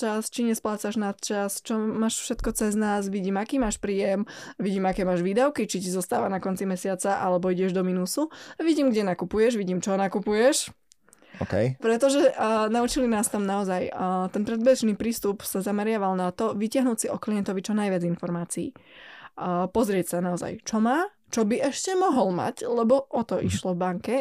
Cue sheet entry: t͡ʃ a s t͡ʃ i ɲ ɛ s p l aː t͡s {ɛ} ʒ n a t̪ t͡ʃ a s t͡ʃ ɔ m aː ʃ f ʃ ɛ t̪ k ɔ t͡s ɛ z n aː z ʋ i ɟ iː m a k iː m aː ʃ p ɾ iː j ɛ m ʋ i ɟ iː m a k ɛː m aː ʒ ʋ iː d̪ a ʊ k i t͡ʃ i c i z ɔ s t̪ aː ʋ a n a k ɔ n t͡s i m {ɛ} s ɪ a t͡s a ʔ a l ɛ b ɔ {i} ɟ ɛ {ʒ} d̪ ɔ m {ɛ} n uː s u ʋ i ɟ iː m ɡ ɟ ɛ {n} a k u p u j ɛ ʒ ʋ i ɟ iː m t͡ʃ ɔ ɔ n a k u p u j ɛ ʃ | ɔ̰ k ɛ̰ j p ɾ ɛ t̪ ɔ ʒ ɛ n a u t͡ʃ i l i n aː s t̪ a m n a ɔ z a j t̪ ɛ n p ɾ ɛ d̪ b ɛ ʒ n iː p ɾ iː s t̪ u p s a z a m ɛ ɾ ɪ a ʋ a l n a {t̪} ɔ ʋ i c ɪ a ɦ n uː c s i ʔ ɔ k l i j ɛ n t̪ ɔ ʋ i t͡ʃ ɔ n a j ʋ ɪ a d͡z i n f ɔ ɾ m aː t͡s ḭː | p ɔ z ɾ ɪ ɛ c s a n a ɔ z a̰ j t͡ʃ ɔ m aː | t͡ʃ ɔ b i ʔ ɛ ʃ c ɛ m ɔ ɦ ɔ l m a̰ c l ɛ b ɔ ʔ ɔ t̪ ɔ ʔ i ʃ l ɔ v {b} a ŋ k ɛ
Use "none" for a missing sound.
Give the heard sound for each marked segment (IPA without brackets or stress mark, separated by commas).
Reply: a, ɛ, i, ʒ, i, n, t̪, b